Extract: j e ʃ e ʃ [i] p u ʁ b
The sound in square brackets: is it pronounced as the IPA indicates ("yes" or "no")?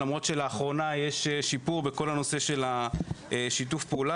yes